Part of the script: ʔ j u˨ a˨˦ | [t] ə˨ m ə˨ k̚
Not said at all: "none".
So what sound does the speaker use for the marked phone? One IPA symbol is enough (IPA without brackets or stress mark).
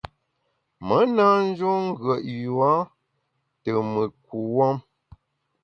t